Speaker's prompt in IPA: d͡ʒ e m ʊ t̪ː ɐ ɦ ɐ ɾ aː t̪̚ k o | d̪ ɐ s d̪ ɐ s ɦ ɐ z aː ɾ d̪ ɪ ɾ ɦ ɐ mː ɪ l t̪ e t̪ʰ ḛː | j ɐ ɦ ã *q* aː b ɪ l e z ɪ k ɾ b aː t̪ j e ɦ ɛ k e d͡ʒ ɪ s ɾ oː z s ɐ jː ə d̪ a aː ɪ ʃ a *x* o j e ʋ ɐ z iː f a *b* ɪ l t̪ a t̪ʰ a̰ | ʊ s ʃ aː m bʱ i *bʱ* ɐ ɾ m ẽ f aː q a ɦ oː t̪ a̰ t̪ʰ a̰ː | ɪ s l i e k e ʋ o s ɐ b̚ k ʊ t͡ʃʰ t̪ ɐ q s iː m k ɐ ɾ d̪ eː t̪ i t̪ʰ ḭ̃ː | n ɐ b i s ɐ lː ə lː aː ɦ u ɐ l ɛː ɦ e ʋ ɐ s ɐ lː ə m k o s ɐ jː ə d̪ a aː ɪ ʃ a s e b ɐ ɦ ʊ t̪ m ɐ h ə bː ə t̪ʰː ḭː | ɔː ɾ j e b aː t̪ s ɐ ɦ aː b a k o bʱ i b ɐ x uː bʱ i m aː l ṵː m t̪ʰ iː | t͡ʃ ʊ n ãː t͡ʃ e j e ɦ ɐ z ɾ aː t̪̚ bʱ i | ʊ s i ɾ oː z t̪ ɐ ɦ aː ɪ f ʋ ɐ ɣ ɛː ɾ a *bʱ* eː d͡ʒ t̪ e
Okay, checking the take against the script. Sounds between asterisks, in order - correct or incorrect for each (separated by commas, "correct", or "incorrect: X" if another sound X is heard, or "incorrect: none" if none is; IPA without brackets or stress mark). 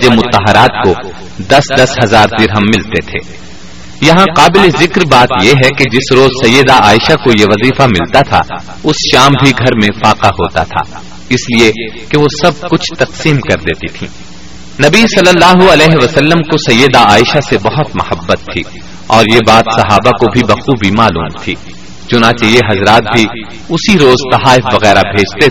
correct, incorrect: k, incorrect: m, incorrect: ɡʱ, correct